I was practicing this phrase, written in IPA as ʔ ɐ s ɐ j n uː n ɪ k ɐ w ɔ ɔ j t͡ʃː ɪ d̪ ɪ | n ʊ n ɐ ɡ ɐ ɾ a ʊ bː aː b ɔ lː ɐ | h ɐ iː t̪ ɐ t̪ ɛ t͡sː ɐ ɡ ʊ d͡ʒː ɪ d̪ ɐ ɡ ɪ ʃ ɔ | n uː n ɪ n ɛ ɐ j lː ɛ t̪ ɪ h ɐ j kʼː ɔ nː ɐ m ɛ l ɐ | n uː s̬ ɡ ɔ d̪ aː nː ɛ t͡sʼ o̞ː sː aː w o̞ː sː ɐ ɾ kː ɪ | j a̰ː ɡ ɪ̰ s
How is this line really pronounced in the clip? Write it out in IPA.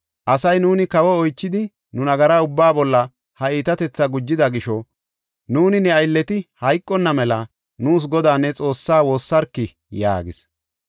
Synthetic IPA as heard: ʔ ɐ s ɐ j n uː n ɪ k ɐ w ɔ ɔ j t͡ʃː ɪ d̪ ɪ | n ʊ n ɐ ɡ ɐ ɾ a ʊ bː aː b ɔ lː ɐ | h ɐ iː t̪ ɐ t̪ ɛ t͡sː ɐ ɡ ʊ d͡ʒː ɪ d̪ ɐ ɡ ɪ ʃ ɔ | n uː n ɪ n ɛ ɐ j lː ɛ t̪ ɪ h ɐ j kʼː ɔ nː ɐ m ɛ l ɐ | n uː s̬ ɡ ɔ d̪ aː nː ɛ t͡sʼ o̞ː sː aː w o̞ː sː ɐ ɾ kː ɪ | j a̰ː ɡ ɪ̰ s

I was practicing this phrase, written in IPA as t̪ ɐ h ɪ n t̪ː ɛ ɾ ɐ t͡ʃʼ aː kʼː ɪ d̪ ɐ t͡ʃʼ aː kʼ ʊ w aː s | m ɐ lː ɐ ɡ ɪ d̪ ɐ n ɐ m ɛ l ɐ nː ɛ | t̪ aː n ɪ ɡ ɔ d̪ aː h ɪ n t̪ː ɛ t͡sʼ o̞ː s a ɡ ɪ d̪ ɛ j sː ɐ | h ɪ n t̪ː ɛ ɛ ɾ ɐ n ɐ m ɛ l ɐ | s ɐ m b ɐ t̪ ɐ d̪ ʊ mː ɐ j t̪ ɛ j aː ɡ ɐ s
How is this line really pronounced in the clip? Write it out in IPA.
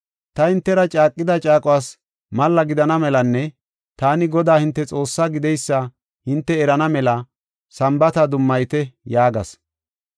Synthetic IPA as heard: t̪ ɐ h ɪ n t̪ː ɛ ɾ ɐ t͡ʃʼ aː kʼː ɪ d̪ ɐ t͡ʃʼ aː kʼ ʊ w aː s | m ɐ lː ɐ ɡ ɪ d̪ ɐ n ɐ m ɛ l ɐ nː ɛ | t̪ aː n ɪ ɡ ɔ d̪ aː h ɪ n t̪ː ɛ t͡sʼ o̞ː sː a ɡ ɪ d̪ ɛ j sː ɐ | h ɪ n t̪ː ɛ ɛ ɾ ɐ n ɐ m ɛ l ɐ | s ɐ m b ɐ t̪ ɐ d̪ ʊ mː ɐ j t̪ ɛ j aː ɡ ɐ s

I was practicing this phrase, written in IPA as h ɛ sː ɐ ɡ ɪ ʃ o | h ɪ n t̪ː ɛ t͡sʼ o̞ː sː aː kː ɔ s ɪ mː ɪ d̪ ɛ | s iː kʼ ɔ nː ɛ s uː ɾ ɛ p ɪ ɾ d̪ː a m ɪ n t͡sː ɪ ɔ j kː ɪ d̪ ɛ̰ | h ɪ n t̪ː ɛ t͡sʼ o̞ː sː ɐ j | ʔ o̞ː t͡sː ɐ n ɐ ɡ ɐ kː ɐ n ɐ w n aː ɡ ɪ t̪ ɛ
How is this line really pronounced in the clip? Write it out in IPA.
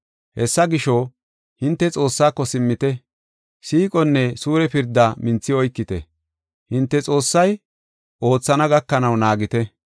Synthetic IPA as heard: h ɛ sː ɐ ɡ ɪ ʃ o | h ɪ n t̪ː ɛ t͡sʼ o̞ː sː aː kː ɔ s ɪ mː ɪ t̪ ɛ | s iː kʼ ɔ nː ɛ s uː ɾ ɛ p ɪ ɾ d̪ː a m ɪ n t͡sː ɪ ɔ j kː ɪ t̪ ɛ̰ | h ɪ n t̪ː ɛ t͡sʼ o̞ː sː ɐ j | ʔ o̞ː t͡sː ɐ n ɐ ɡ ɐ kː ɐ n ɐ w n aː ɡ ɪ t̪ ɛ

